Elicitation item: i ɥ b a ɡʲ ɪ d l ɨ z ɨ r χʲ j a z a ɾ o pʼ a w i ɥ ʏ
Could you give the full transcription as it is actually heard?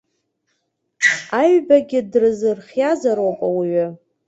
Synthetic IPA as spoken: a ɥ b a ɡʲ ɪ d r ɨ z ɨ r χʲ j a z a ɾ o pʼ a w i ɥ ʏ